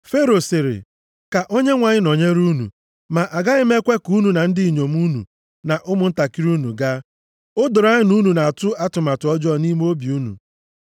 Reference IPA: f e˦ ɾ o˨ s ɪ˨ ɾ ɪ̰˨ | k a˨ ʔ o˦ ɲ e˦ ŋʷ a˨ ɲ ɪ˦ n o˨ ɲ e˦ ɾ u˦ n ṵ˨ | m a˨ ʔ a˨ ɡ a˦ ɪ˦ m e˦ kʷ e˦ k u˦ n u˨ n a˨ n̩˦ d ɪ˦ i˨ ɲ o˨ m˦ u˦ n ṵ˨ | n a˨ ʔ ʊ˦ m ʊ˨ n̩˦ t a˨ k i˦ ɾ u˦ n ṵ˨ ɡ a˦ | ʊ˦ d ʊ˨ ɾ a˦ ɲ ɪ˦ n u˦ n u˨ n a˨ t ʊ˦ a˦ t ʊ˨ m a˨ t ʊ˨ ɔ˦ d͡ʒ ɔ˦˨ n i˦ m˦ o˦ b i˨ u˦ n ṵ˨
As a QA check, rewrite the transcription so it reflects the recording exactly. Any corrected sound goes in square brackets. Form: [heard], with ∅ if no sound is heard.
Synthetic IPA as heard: f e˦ ɾ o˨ s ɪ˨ ɾ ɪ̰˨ | k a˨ ʔ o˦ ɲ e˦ ŋʷ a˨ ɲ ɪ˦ n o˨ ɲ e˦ ɾ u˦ n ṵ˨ | m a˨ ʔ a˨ ɡ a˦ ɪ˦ m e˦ kʷ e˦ k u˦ n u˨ n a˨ n̩˦ d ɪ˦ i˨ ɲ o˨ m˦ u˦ n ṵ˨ | n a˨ ʔ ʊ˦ m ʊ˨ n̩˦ t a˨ k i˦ ɾ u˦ n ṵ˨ ɡ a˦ | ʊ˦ d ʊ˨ ɾ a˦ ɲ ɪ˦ n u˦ n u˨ n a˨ t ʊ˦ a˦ t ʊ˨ m a˨ t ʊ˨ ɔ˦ d͡ʒ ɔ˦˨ n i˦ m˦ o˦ b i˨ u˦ n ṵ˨